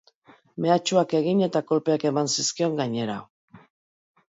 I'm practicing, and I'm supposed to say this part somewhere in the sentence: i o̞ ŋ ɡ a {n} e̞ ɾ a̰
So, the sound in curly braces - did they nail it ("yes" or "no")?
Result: no